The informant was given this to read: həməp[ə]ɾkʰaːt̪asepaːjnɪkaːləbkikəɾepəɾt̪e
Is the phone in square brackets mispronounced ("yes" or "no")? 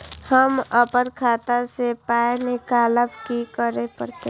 no